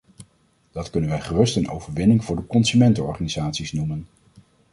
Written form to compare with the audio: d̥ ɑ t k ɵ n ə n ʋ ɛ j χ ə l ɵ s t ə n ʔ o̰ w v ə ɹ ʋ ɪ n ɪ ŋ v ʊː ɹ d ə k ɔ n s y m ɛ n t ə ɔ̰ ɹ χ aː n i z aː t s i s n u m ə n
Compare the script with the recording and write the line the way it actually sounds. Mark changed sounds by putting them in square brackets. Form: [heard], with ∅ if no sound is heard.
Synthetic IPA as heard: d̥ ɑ t k ɵ n ə n ʋ ɛ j χ ə [r] ɵ s t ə n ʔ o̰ w v ə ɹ ʋ ɪ n ɪ ŋ v ʊː ɹ d ə k ɔ n s y m ɛ n t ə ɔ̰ ɹ χ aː n i z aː t s i s n u m ə n